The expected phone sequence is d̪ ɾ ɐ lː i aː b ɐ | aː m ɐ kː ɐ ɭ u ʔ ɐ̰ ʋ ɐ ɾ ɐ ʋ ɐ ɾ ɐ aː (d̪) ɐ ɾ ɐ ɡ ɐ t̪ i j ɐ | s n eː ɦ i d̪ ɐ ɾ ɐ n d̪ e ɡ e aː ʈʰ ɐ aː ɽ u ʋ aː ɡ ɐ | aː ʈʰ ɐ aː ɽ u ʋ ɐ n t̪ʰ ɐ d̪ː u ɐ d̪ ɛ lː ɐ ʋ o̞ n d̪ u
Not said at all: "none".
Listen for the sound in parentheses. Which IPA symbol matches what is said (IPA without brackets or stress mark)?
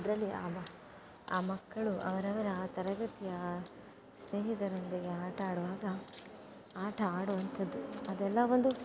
t̪